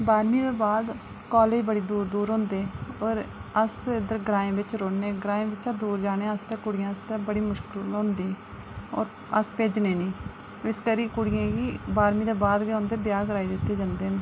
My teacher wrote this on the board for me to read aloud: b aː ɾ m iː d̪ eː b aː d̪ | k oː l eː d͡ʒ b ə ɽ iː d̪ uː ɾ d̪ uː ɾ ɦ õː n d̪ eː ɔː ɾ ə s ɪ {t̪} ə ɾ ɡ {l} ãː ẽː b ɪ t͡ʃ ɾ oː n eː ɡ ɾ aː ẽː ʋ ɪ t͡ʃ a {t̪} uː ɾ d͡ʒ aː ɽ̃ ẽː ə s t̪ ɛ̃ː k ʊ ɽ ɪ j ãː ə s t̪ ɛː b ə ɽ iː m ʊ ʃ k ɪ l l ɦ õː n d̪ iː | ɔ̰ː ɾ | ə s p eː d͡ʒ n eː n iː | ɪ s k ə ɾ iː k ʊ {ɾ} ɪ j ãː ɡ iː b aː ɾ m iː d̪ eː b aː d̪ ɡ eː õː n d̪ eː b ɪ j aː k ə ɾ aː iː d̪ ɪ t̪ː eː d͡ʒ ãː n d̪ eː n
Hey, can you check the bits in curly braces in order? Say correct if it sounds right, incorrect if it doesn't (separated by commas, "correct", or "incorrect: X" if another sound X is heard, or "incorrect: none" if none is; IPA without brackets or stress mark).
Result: incorrect: d̪, incorrect: ɾ, incorrect: d̪, incorrect: ɽ